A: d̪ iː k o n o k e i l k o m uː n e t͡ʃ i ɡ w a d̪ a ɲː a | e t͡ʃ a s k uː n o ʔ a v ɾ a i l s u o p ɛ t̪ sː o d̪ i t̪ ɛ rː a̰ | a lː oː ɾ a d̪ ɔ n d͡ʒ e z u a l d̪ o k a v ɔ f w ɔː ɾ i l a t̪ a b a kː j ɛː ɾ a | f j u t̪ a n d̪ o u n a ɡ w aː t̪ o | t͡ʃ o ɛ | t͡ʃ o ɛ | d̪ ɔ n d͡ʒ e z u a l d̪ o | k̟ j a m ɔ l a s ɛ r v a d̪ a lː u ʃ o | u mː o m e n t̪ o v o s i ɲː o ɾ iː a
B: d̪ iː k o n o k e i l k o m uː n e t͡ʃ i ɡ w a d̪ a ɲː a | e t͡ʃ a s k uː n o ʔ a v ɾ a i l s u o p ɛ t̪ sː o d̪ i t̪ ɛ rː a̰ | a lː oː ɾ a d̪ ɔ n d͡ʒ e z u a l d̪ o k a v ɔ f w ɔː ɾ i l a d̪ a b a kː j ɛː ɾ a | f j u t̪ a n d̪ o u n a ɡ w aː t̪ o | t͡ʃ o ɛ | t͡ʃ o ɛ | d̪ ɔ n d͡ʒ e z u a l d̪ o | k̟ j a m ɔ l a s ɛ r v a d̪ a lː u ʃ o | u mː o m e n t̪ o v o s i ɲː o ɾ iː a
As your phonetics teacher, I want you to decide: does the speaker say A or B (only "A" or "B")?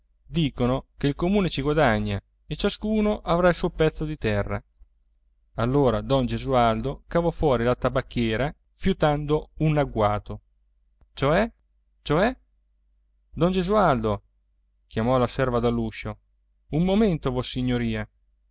A